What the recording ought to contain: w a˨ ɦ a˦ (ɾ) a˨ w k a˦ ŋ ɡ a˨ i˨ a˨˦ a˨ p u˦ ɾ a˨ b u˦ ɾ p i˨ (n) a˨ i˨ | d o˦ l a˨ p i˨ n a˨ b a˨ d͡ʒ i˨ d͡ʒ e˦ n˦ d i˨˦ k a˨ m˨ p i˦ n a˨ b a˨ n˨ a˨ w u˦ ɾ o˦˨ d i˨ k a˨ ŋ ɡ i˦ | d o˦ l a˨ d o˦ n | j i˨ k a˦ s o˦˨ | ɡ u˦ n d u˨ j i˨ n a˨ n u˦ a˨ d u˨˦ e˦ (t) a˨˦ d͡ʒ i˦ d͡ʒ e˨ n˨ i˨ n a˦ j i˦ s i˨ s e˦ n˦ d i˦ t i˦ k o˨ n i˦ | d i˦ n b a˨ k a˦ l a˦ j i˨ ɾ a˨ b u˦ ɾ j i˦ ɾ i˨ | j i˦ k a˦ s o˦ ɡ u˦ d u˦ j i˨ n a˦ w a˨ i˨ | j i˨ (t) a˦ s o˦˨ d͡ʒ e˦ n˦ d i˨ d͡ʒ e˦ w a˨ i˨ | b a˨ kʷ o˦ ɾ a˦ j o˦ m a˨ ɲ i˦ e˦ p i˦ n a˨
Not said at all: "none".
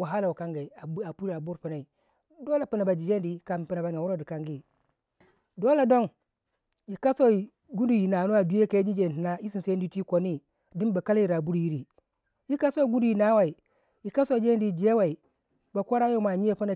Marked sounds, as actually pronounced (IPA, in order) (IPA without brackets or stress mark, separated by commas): l, n, k, k